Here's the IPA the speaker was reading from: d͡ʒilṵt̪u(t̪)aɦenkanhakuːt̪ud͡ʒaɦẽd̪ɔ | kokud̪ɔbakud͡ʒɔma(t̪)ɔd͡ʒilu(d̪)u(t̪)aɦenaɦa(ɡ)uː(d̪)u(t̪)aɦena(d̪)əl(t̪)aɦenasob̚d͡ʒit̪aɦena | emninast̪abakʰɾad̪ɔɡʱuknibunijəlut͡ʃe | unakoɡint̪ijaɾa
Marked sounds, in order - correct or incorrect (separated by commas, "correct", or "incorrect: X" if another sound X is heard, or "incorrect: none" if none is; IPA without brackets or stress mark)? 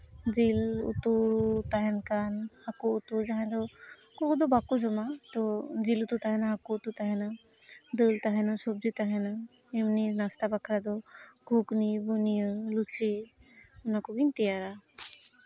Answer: correct, correct, incorrect: t̪, correct, incorrect: k, incorrect: t̪, correct, correct, correct